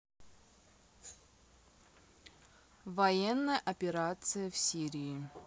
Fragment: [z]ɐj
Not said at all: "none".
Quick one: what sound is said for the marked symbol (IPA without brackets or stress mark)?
v